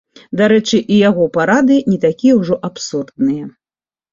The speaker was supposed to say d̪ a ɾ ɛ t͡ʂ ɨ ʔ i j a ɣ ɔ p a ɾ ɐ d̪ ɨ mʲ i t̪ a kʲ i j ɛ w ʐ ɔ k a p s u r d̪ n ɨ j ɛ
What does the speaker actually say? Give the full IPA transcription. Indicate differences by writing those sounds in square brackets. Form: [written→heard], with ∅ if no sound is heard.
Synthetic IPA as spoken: d̪ a ɾ ɛ t͡ʂ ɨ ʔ i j a ɣ ɔ p a ɾ [ɐ→a] d̪ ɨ [mʲ→nʲ] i t̪ a kʲ i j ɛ w ʐ ɔ [k→ʔ] a p s u r d̪ n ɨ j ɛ